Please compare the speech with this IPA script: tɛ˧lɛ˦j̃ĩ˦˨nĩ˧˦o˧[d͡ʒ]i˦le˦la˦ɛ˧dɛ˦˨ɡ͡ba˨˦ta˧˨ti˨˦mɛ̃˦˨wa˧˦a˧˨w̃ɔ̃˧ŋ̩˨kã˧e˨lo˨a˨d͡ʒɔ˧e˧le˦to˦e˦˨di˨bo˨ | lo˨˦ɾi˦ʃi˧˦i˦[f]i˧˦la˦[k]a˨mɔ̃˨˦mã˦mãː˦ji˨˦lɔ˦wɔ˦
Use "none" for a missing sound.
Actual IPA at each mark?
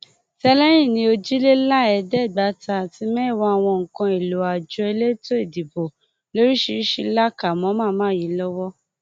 d͡ʒ, ʃ, k

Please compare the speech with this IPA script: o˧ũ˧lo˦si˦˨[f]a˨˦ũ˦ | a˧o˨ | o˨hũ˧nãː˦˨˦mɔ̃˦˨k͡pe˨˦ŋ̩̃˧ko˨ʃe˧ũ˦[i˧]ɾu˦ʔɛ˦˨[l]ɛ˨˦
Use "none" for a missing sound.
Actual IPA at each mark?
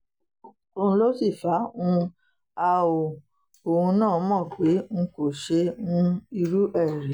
f, i˧, ɾ

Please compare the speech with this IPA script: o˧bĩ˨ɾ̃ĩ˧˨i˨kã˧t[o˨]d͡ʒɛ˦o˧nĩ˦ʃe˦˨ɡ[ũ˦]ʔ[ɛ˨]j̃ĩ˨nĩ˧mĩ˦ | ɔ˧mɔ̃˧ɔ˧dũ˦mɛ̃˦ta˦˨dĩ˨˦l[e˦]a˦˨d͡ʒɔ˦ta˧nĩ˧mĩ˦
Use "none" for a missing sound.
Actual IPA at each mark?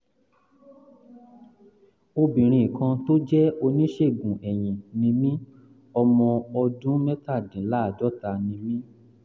o˦, ũ˨, ɛ˨, a˦

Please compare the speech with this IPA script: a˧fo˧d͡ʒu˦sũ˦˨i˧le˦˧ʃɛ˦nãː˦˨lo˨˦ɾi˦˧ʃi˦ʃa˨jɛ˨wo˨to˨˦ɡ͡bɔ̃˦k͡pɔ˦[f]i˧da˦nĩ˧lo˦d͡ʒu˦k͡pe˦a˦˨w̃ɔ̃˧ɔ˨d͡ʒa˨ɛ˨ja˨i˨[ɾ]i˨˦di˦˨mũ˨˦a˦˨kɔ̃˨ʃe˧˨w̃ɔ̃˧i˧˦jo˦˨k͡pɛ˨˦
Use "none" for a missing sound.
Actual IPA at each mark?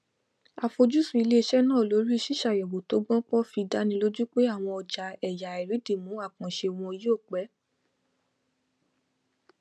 f, ɾ

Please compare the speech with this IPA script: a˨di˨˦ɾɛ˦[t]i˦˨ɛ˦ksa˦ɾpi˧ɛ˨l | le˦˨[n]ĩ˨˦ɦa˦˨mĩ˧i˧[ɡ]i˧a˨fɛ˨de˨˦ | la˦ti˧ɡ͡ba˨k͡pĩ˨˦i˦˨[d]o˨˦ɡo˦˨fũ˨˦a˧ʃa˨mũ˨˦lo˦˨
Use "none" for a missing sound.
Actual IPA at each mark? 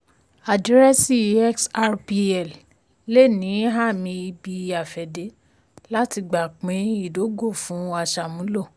s, n, b, d

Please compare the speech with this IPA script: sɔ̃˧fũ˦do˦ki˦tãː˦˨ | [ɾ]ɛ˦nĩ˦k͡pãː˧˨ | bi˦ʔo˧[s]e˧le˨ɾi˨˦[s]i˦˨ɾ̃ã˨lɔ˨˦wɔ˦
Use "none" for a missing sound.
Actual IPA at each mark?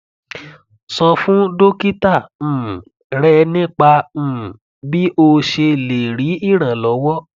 ɾ, ʃ, none

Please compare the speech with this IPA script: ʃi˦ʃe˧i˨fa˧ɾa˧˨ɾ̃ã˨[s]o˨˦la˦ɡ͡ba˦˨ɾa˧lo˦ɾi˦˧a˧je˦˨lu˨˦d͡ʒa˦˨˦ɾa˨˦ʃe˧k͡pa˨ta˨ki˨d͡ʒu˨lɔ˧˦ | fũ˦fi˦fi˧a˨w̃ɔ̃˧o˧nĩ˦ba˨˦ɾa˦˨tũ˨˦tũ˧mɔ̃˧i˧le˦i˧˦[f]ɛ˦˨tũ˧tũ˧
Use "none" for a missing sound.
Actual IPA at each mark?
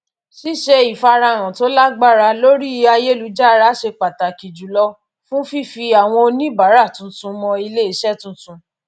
t, ʃ

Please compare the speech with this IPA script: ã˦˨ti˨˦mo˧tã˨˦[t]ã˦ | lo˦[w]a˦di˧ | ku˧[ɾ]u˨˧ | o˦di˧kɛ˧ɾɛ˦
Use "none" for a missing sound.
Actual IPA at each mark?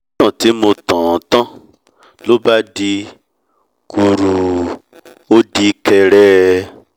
t, b, ɾ

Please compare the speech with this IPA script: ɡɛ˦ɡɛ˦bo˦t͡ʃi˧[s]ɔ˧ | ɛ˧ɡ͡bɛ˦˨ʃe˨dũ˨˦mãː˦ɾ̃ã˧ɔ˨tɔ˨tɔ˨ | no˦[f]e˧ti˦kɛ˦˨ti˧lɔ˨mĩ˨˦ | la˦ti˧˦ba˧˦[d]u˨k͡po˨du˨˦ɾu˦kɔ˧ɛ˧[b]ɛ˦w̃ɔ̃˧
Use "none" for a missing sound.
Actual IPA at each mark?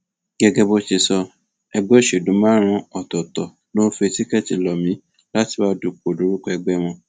s, f, d, ɡ͡b

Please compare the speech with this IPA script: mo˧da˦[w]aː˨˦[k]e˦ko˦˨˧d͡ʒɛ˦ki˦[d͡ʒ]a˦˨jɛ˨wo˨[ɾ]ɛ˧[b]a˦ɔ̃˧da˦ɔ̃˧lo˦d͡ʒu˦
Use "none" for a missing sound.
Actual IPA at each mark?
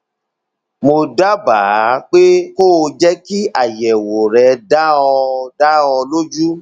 b, k͡p, none, ɾ, d

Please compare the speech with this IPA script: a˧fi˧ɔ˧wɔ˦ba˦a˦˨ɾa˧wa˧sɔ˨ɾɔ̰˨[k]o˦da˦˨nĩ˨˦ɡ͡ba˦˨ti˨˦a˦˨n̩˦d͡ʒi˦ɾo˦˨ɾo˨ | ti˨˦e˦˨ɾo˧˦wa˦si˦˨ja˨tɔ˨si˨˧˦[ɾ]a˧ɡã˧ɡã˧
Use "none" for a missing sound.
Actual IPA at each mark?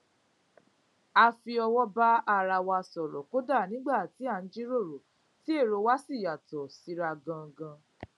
k, ɾ

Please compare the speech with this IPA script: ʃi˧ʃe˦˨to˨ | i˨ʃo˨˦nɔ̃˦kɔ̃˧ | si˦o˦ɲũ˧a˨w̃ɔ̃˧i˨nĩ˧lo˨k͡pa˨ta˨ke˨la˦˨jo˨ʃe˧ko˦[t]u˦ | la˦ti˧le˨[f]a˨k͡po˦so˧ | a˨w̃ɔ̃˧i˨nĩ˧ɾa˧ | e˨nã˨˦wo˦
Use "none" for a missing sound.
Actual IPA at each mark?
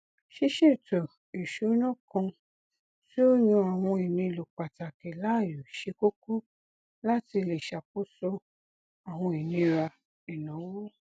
k, ʃ

